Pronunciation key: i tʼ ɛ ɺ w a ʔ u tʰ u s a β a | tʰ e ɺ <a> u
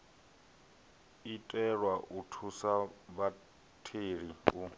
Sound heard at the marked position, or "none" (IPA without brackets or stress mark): i